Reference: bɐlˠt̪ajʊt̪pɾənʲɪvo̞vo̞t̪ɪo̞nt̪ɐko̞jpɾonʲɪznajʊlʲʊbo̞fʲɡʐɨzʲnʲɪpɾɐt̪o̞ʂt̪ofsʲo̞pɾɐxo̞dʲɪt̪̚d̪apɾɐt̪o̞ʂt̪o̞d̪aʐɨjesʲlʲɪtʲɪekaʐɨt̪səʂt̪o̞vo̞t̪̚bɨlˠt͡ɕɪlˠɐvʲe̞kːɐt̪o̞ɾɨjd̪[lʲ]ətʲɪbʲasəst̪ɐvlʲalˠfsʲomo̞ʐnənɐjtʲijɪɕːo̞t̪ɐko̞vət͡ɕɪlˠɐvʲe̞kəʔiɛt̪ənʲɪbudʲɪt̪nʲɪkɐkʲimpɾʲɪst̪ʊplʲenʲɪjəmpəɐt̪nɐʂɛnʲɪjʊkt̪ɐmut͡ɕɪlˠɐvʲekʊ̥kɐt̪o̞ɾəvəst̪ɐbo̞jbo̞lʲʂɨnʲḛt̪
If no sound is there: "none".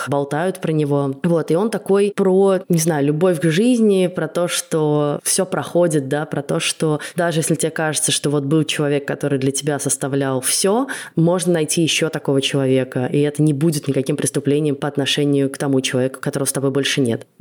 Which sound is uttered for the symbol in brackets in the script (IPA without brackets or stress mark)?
lʲ